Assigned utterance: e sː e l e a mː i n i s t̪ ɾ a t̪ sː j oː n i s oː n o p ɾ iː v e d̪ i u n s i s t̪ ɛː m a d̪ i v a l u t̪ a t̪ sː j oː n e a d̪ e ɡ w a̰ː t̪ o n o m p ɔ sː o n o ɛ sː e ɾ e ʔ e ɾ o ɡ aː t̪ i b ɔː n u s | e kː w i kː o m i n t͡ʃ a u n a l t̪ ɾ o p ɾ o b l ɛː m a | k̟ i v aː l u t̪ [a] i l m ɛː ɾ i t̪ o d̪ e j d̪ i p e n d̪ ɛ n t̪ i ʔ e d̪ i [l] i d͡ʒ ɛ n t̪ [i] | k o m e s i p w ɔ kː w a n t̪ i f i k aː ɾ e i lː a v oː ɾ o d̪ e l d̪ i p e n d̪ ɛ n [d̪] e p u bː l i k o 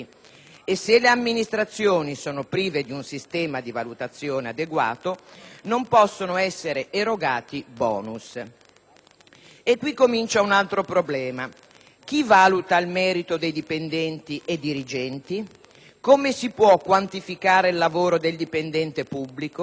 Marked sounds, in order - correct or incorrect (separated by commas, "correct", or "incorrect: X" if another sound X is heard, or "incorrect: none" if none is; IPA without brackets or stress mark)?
correct, incorrect: ɾ, correct, incorrect: t̪